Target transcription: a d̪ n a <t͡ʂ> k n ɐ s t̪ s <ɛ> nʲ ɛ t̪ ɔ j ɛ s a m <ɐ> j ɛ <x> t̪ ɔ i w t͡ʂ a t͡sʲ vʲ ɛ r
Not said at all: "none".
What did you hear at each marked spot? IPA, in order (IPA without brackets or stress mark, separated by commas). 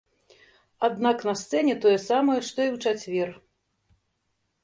none, ɛ, ɐ, ʂ